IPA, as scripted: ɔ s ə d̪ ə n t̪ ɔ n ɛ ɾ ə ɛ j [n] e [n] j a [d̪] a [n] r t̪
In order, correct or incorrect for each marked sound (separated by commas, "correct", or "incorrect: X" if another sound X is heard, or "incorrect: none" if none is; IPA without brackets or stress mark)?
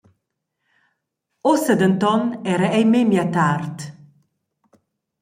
incorrect: m, incorrect: m, incorrect: t̪, incorrect: none